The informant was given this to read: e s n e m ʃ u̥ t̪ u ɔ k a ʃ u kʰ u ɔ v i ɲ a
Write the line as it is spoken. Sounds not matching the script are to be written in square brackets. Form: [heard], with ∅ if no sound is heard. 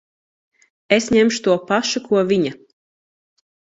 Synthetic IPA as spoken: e s [ɲ] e m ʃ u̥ t̪ u ɔ [p] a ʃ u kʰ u ɔ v i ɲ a